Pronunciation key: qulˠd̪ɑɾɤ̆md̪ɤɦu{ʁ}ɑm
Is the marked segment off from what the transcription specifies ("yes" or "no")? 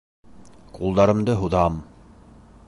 yes